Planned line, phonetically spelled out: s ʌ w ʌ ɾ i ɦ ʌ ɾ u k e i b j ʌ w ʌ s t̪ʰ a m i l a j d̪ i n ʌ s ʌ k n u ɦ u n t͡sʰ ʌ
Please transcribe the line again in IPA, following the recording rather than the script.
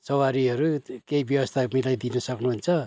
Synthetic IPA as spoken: s ʌ w a ɾ i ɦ ʌ ɾ u k e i b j ʌ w ʌ s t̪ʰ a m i l a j d̪ i n ʌ s ʌ k n u ɦ u n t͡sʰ ʌ